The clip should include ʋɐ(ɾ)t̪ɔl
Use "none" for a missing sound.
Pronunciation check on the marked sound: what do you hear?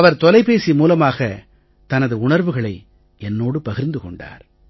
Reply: ɾ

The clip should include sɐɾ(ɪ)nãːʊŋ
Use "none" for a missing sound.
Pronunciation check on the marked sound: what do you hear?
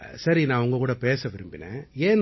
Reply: i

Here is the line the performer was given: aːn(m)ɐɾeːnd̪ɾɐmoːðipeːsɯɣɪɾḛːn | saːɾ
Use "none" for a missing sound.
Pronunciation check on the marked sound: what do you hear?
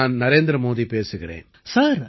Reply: n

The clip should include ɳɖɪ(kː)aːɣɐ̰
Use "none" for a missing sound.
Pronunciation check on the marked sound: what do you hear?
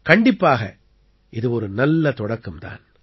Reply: pː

